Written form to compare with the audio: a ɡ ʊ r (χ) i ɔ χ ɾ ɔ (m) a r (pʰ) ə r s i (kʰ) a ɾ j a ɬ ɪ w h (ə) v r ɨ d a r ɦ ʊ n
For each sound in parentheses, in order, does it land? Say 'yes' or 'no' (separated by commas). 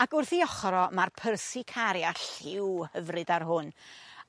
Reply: no, yes, yes, yes, yes